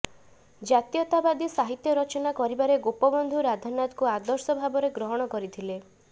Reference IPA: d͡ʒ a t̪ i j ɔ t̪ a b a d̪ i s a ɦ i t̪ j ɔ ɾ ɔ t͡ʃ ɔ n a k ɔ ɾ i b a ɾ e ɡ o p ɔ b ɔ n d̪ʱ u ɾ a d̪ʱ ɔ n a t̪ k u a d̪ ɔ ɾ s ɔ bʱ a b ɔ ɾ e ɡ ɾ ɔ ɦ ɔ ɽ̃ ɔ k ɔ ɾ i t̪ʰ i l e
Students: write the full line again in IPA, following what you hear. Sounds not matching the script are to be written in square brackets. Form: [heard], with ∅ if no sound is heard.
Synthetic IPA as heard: d͡ʒ a t̪ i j ɔ t̪ a b a d̪ i s a ɦ i t̪ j ɔ ɾ ɔ t͡ʃ ɔ n a k ɔ ɾ i b a ɾ e ɡ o p ɔ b ɔ n d̪ʱ u ɾ a d̪ʱ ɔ n a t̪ k u a d̪ ɔ ɾ s ɔ bʱ a b ɔ ɾ e ɡ ɾ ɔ ɦ ɔ ɽ̃ ɔ k ɔ ɾ i t̪ʰ i l e